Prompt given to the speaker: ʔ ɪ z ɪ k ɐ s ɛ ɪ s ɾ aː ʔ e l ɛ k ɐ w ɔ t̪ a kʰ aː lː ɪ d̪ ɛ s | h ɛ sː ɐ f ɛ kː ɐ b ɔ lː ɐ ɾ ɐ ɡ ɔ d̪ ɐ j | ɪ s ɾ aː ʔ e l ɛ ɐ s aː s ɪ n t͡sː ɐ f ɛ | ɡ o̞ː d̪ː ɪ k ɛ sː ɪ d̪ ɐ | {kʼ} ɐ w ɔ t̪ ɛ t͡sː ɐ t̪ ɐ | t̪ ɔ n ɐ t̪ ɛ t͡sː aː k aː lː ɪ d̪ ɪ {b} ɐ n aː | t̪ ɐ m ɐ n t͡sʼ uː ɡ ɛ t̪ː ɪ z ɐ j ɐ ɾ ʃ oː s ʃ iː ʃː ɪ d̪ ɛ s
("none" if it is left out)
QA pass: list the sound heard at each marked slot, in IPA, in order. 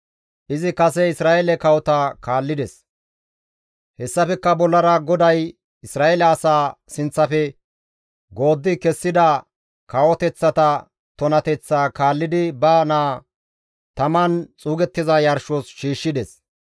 k, b

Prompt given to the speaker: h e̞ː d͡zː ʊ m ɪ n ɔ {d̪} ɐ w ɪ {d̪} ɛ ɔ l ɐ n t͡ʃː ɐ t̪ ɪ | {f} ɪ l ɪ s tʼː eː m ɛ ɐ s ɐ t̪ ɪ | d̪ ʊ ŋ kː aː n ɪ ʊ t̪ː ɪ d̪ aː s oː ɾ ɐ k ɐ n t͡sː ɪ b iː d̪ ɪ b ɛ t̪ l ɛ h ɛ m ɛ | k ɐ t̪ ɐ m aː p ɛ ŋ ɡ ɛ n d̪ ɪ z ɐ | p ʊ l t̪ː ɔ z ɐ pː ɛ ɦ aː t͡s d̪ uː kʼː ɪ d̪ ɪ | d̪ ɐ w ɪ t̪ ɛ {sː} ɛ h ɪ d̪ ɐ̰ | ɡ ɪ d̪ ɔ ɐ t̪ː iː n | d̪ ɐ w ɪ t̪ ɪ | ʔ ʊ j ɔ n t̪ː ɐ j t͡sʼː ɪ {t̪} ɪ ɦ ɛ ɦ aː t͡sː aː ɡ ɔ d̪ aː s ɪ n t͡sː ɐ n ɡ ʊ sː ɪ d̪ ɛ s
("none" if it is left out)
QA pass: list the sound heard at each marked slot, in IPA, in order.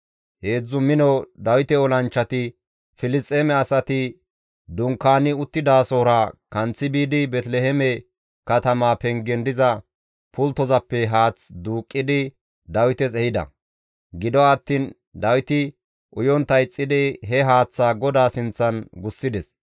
d̪, t̪, f, s, d̪

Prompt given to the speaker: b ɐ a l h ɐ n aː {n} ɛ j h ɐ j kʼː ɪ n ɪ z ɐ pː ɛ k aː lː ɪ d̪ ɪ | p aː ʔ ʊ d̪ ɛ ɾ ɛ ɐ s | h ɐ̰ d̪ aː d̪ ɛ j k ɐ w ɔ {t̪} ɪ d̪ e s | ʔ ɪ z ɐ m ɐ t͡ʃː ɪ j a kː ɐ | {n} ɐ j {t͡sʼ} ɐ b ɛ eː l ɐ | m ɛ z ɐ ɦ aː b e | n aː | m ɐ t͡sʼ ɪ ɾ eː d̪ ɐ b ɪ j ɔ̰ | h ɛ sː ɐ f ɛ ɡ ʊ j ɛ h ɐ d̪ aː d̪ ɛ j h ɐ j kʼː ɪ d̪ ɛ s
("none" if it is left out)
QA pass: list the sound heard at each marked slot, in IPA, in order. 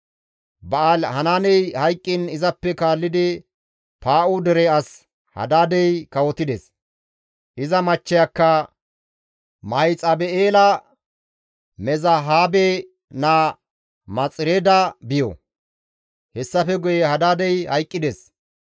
n, t̪, m, t͡sʼ

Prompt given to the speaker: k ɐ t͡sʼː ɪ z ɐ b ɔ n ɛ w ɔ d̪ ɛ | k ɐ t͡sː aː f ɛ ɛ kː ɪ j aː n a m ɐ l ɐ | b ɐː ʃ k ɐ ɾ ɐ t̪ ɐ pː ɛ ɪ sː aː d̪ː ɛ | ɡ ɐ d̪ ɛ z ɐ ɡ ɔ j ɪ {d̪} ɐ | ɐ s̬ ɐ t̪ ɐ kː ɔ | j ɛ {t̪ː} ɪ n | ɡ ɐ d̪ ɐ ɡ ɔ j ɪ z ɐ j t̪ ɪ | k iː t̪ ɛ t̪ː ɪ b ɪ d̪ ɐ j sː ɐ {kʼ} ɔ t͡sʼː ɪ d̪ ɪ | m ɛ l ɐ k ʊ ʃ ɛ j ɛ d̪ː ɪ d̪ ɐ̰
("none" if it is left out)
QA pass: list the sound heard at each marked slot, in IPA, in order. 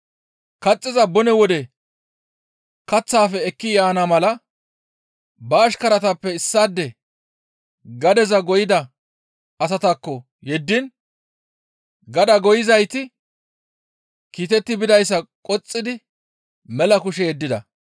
d̪, d̪ː, kʼ

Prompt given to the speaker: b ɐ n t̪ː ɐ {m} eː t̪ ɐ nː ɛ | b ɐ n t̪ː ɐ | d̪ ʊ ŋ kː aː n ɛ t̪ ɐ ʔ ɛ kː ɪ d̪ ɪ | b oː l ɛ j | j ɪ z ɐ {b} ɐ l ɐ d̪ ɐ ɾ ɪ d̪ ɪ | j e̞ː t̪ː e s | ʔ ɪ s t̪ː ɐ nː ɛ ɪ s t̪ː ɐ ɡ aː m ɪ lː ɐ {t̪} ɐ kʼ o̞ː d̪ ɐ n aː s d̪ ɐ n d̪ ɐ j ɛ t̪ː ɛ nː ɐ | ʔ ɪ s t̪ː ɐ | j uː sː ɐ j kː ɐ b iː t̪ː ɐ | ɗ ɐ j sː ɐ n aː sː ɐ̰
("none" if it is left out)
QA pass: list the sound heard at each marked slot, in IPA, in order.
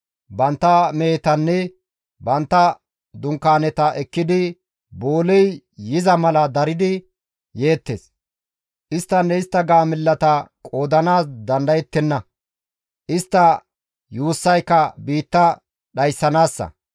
m, m, t̪

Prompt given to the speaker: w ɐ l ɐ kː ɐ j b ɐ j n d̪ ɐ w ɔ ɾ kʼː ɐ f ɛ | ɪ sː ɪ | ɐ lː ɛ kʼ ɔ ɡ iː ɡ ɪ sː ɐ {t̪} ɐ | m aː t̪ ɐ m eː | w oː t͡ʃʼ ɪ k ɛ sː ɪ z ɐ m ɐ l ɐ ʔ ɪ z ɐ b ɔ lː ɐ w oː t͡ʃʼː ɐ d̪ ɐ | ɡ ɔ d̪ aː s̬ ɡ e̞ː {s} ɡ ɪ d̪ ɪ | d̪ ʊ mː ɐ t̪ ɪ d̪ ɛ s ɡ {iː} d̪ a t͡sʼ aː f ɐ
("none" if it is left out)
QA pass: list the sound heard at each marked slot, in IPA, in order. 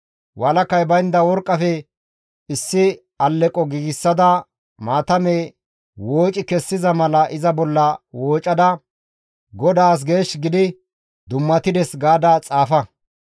d̪, ʃ, aː

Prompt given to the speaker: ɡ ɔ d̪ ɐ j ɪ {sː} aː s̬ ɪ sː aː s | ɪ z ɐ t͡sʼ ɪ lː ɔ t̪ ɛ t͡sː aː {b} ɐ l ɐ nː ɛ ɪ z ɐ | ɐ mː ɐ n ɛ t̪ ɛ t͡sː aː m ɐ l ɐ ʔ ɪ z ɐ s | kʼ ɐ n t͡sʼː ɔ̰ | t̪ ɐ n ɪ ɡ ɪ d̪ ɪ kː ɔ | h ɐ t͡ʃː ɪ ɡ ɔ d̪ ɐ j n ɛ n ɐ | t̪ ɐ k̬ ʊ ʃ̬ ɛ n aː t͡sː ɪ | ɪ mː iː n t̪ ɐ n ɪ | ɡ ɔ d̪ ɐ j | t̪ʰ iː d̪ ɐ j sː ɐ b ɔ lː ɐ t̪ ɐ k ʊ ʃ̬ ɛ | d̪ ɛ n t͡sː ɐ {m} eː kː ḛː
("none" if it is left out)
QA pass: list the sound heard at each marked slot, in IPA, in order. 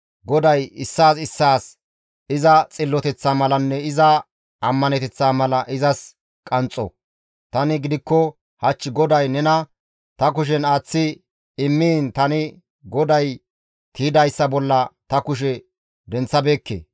sː, m, b

